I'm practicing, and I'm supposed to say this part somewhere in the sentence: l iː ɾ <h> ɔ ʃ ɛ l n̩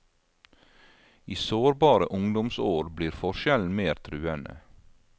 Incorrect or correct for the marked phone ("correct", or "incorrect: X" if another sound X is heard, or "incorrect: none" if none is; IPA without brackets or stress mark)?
incorrect: f